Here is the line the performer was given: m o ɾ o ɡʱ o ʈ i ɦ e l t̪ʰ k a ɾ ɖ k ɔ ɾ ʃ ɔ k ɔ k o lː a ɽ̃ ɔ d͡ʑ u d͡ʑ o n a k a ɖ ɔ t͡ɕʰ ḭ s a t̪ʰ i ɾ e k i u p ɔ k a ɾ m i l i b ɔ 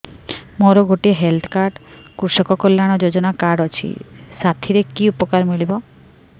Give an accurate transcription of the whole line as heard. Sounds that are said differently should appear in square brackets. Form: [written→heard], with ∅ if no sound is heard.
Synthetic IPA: m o ɾ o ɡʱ o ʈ i ɦ e l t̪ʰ k a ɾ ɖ k [ɔ→u] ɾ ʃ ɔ k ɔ k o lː a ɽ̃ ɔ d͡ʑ [u→o] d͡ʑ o n a k a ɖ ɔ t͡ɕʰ ḭ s a t̪ʰ i ɾ e k i u p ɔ k a ɾ m i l i b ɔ